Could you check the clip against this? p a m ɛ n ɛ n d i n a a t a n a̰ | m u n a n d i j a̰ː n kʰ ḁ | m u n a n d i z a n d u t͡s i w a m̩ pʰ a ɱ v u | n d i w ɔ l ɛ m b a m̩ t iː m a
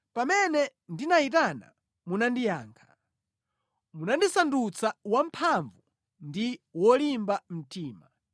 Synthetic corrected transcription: p a m ɛ n ɛ n d i n a i t a n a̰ | m u n a n d i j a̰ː ŋ kʰ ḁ | m u n a n d i s a n d u t͡s a w a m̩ pʰ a ɱ v u | n d i w ɔ l i m b a m̩ t iː m a